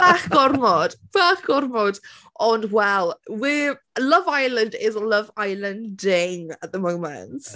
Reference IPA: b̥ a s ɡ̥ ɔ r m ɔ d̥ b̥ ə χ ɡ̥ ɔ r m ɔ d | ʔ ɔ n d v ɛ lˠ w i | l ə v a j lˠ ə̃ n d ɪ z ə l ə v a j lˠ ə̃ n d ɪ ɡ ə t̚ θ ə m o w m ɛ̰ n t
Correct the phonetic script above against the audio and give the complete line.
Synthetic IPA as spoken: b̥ a χ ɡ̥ ɔ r m ɔ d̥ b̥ a χ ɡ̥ ɔ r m ɔ d | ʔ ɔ n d w ɛ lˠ w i | l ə v a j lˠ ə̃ n d ɪ z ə l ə v a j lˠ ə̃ n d ɪ ŋ ə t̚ ð ə m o w m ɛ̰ n t